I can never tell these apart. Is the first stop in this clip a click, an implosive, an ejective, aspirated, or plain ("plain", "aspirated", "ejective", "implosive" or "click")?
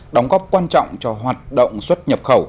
implosive